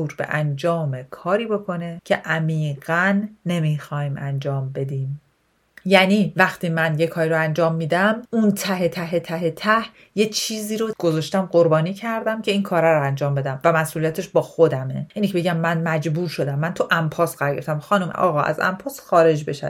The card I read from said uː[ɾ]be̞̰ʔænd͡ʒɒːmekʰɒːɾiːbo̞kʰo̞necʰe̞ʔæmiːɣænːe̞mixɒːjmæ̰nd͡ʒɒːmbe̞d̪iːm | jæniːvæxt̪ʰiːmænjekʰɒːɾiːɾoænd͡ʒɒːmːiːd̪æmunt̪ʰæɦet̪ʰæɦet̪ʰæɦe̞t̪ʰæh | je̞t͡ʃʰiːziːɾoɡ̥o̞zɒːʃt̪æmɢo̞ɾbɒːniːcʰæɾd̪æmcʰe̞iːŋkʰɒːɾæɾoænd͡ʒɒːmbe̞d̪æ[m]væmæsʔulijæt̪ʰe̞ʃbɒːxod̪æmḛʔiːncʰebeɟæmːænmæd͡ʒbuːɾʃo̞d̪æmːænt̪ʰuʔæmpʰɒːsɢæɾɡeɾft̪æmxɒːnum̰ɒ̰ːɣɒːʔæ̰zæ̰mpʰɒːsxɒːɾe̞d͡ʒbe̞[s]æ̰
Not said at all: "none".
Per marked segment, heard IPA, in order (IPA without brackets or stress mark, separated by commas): ɾ, m, ʃ